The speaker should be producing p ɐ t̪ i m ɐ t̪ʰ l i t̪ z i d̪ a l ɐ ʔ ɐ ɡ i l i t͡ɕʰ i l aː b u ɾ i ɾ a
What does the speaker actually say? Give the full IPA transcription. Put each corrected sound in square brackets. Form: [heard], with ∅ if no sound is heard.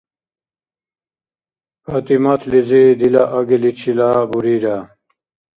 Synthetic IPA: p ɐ t̪ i m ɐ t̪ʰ l i [∅] z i d̪ [i] l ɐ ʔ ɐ ɡ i l i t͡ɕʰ i l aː b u ɾ i ɾ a